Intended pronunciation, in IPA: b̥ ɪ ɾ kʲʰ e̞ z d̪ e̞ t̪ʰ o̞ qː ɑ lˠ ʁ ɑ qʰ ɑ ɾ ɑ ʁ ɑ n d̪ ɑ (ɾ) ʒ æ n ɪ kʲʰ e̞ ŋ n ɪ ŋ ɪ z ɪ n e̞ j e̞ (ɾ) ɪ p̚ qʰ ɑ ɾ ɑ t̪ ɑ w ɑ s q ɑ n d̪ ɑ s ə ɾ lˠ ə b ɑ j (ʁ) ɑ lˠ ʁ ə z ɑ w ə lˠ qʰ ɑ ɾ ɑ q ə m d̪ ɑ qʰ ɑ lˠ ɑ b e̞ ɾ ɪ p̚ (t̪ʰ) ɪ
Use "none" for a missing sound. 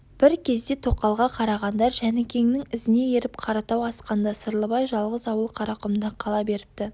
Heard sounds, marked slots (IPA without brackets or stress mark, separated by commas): ɾ, ɾ, ʒ, t̪